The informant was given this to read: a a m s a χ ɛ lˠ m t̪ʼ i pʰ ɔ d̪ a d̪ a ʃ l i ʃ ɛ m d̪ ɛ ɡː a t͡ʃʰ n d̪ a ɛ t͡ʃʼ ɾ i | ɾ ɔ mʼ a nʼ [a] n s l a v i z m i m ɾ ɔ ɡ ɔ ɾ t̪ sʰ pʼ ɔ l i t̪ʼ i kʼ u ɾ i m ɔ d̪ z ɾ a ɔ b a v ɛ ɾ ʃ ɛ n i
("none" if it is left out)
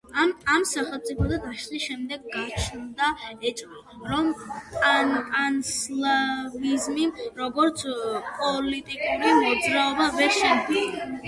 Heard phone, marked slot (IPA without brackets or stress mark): a